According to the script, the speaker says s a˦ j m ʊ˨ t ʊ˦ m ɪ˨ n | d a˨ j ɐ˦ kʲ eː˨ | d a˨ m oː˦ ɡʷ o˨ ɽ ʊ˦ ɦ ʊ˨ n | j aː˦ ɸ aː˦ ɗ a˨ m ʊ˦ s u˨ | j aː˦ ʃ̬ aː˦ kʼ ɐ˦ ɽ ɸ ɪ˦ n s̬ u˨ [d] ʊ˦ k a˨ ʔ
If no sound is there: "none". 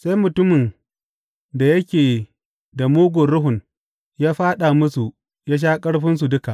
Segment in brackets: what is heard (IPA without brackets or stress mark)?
d